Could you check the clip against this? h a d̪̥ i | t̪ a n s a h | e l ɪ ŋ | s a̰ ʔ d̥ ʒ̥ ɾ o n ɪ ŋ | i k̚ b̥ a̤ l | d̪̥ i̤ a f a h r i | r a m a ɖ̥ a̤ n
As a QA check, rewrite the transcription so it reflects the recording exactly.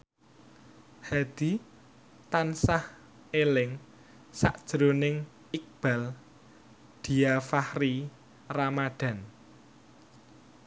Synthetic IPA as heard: h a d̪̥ i | t̪ a n s a h | e l ɪ ŋ | s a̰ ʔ d̥ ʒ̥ ɾ o n ɪ ŋ | i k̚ b̥ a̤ l | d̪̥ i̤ a f a h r i | r a m a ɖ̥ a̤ n